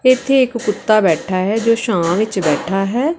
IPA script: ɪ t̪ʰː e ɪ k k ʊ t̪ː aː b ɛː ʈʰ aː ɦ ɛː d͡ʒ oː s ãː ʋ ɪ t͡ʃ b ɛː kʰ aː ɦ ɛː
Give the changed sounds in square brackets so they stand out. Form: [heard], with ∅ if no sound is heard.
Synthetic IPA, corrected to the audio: ɪ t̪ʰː e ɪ k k ʊ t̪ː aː b ɛː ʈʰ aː ɦ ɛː d͡ʒ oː [ʃ] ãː ʋ ɪ t͡ʃ b ɛː [ʈʰ] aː ɦ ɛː

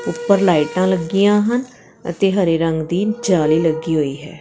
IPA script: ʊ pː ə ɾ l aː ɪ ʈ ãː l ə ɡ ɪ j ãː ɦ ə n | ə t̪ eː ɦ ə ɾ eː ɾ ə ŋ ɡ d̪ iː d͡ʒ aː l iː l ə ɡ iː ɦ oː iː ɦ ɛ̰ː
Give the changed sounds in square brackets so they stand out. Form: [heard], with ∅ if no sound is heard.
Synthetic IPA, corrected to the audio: ʊ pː ə ɾ l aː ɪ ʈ ãː l ə ɡ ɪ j ãː ɦ ə n | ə t̪ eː ɦ ə ɾ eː ɾ ə ŋ ɡ d̪ iː d͡ʒ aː l iː l ə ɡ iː ɦ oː iː ɦ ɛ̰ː

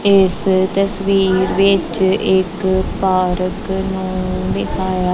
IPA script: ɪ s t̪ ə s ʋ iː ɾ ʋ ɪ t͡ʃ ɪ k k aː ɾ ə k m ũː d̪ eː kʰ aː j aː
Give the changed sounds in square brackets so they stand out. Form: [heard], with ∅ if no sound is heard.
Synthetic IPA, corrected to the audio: ɪ s t̪ ə s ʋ iː ɾ ʋ ɪ t͡ʃ ɪ k [p] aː ɾ ə k [n] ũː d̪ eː kʰ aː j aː

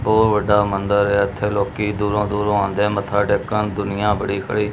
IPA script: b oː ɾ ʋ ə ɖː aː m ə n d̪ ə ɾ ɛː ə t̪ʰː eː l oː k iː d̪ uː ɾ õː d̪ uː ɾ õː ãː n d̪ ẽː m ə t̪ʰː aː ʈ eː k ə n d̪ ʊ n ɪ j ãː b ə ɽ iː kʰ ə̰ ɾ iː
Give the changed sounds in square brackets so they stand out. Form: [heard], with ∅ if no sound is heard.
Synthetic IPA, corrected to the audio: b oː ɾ ʋ ə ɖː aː m ə n d̪ ə ɾ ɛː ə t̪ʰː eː l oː k iː d̪ uː ɾ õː d̪ uː ɾ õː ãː n d̪ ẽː m ə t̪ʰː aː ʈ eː k ə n d̪ ʊ n ɪ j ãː b ə ɽ iː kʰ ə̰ [ɽ] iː

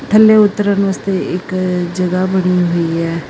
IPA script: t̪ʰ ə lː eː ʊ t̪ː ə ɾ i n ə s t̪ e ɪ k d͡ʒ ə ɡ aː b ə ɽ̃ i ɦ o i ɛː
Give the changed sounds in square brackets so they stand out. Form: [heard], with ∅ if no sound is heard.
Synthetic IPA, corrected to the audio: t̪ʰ ə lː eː ʊ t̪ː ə ɾ [a] n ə s t̪ e ɪ k d͡ʒ ə ɡ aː b ə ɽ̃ i ɦ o i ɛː

